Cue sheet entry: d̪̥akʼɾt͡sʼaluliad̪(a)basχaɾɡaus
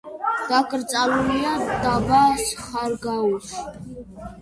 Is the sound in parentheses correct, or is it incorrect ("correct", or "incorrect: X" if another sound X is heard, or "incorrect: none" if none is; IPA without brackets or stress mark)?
correct